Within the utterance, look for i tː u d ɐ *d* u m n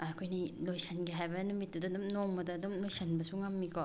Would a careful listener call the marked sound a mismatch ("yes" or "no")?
no